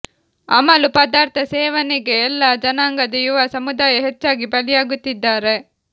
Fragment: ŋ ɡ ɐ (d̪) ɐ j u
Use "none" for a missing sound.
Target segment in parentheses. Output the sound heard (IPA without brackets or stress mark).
d̪